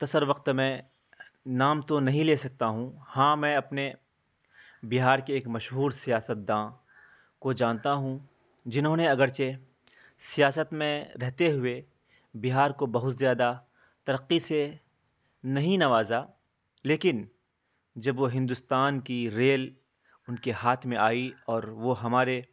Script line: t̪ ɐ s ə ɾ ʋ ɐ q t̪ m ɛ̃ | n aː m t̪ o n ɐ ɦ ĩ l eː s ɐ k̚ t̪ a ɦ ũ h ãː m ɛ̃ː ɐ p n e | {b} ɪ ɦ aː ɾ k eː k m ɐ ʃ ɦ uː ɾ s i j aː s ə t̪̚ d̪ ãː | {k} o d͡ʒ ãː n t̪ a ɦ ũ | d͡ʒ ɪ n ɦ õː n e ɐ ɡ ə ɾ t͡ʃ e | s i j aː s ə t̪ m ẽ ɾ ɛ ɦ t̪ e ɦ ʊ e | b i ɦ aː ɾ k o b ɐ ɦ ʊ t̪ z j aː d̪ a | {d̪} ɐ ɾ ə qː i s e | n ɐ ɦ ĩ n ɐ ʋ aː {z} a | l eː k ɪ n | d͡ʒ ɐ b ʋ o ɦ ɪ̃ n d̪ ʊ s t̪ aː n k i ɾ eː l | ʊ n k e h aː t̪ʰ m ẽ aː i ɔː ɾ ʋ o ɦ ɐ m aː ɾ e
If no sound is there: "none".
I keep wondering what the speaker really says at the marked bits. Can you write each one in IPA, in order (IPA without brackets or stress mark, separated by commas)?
b, k, t̪, z